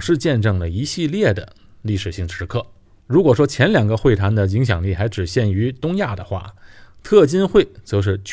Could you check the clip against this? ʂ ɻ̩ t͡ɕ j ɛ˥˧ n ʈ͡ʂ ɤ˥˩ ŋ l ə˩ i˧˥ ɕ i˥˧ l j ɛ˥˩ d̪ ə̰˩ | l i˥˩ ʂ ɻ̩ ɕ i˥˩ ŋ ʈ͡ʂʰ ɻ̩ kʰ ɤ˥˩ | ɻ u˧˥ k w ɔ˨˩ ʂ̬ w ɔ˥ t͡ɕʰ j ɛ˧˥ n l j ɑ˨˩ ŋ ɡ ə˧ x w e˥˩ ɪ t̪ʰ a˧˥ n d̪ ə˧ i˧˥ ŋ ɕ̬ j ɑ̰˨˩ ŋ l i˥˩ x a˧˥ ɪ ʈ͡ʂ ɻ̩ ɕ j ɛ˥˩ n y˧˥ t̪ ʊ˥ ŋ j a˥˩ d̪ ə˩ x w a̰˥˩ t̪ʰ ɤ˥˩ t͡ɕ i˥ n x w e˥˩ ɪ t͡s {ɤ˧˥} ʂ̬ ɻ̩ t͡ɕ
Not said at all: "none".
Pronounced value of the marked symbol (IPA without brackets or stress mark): ɤ˧˥